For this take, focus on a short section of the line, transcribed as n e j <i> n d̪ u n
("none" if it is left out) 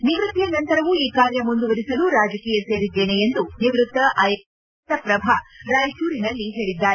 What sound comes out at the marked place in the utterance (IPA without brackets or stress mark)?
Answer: e